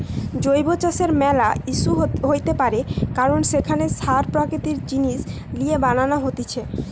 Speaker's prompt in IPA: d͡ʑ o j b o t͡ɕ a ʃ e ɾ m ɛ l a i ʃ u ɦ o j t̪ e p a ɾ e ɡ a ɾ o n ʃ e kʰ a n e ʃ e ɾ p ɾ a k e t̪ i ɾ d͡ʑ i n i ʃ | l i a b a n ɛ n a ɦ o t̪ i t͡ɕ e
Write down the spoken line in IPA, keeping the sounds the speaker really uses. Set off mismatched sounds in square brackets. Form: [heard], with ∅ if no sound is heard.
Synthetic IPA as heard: d͡ʑ o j b o t͡ɕ a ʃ e ɾ m ɛ l a i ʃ u ɦ o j t̪ e p a ɾ e [k] a ɾ o n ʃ e kʰ a n e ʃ [a] ɾ p ɾ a k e t̪ i ɾ d͡ʑ i n i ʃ | l i [e] b a n [a] n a ɦ o t̪ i [t͡ɕʰ] e